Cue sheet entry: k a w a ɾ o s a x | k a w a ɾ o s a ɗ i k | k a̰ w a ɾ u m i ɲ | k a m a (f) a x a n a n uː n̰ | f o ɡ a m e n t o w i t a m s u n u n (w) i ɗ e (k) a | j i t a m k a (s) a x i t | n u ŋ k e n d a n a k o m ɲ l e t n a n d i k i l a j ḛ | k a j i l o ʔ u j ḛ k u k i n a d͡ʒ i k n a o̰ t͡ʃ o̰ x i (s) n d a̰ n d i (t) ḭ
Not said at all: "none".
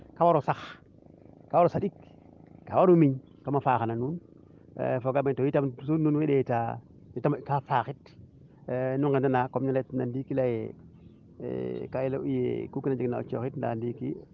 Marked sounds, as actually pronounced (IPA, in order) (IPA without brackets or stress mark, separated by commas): f, w, t, f, t, k